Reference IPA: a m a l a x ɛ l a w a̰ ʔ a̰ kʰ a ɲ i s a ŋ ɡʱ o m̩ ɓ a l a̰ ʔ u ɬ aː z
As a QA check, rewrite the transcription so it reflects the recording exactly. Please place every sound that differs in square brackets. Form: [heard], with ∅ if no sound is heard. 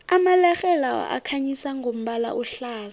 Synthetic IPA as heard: a m a l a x ɛ l a w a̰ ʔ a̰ kʰ a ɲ i s a ŋ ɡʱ o m̩ ɓ a l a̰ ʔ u ɬ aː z

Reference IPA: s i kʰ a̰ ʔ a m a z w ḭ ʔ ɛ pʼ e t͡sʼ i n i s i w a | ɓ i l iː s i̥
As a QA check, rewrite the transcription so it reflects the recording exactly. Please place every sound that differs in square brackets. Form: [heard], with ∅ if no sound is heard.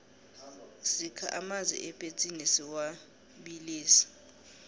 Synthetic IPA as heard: s i kʰ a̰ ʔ a m a z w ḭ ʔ ɛ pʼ e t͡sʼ i n i s i w a | ɓ i l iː s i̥

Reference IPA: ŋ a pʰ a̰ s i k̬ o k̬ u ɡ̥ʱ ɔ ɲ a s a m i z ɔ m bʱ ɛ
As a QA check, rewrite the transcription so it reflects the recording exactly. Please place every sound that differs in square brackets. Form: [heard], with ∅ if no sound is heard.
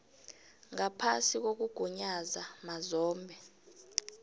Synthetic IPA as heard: ŋ a pʰ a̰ s i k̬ o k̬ u ɡ̥ʱ [u] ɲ a [z] a m [a] z [ɔː] m bʱ ɛ

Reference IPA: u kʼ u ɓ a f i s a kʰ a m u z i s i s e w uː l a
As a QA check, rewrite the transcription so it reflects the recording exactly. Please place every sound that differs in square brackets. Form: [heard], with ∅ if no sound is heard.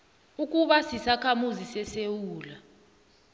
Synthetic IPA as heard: u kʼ u ɓ a [s] i s a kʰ a m u z i s [ɛ] s e w uː l a

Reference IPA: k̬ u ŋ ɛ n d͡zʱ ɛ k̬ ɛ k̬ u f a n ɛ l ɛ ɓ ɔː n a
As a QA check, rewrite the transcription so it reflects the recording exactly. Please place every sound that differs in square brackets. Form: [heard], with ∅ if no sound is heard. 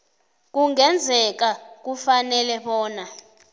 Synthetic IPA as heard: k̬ u ŋ ɛ n d͡zʱ ɛ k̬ [a] k̬ u f a n ɛ l ɛ ɓ ɔː n a

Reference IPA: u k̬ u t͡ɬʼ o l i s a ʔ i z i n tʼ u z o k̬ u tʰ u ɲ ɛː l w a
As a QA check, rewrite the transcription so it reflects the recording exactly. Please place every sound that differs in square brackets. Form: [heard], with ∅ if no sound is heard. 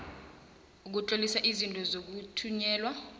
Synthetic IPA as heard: u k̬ u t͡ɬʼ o l i s a ʔ i z i n tʼ [ɔ] z o k̬ u tʰ u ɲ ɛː l w a

